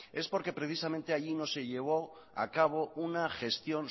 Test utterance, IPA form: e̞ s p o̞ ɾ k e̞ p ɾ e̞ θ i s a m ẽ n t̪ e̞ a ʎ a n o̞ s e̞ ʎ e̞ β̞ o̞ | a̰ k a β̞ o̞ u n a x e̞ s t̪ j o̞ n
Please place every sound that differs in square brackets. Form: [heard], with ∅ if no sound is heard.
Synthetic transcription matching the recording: e̞ s p o̞ ɾ k e̞ p ɾ e̞ θ i s a m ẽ n t̪ e̞ a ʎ [i] n o̞ s e̞ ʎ e̞ β̞ o̞ | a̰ k a β̞ o̞ u n a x e̞ s t̪ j o̞ n